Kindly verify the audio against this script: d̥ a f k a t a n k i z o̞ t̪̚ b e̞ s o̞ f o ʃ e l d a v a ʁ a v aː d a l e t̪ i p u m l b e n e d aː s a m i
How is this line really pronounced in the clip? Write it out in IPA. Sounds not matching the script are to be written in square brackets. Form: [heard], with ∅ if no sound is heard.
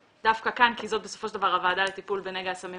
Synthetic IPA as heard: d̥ a f k a [k] a n k i z o̞ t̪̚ b e̞ s o̞ f o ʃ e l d a v a ʁ a v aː d a l e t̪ i p u [∅] l b e n e [ɡ] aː s a m i

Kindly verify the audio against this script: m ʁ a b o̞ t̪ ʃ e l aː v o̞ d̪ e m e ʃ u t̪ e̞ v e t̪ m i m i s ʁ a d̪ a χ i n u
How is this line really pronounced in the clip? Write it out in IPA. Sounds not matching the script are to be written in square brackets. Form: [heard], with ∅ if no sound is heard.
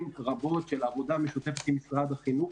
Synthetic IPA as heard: m ʁ a b o̞ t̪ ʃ e l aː v o̞ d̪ [a] m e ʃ u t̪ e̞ [f] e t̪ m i m i s ʁ a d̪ a χ i n u

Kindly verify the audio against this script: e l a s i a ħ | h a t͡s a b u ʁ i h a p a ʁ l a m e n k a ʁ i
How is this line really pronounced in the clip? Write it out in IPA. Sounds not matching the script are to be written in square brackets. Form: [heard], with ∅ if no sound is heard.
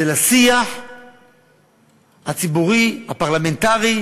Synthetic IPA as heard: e l a s i a ħ | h a t͡s [i] b u ʁ i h a p a ʁ l a m e n [t] a ʁ i

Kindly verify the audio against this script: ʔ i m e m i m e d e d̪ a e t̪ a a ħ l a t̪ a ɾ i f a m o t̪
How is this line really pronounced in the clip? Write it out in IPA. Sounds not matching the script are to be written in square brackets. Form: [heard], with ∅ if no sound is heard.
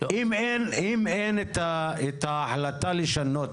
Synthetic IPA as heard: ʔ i m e [n] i m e [n] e [t̪] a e t̪ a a ħ l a t̪ a [l] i [ʃ] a [n] o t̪

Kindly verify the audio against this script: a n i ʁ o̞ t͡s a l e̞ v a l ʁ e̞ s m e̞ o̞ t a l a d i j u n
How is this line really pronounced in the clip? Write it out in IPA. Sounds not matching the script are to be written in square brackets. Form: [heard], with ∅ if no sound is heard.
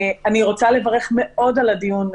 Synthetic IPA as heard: a n i ʁ o̞ t͡s a l e̞ v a [∅] ʁ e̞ [χ] m e̞ o̞ [d] a l a d i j u n

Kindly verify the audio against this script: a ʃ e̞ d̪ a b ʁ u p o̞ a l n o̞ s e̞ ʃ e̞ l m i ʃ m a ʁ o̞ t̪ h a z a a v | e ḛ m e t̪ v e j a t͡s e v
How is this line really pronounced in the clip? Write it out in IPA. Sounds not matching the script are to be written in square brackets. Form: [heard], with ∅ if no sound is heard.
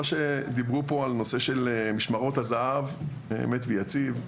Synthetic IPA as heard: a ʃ e̞ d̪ [i] b ʁ u p o̞ a l n o̞ s e̞ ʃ e̞ l m i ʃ m a ʁ o̞ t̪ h a z a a v | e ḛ m e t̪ v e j a t͡s [i] v

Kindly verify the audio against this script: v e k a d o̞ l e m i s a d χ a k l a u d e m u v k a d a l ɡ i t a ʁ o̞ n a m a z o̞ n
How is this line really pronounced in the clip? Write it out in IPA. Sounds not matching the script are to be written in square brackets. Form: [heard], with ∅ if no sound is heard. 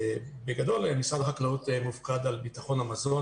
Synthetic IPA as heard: [b] e [ɡ] a d o̞ l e m i s a d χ a k l a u [t] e m u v k a d a l [b] i t a [χ] o̞ n a m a z o̞ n

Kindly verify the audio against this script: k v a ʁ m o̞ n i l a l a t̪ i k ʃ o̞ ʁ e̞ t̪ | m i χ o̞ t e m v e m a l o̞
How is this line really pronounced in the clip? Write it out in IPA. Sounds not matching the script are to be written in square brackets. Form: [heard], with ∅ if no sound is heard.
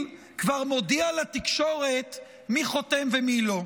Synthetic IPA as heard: k v a ʁ m o̞ [d] i [∅] a l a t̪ i k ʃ o̞ ʁ e̞ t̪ | m i χ o̞ t e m v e m [i] l o̞

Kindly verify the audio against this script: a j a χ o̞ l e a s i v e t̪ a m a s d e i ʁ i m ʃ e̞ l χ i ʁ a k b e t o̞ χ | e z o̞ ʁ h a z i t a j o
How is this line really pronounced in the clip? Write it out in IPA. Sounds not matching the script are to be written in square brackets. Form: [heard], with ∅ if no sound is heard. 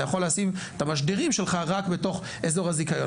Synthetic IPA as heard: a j a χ o̞ l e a s i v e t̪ a m a [ʃ] d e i ʁ i m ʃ e̞ l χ [a] ʁ a k b e t o̞ χ | e z o̞ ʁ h a z i [k] a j o

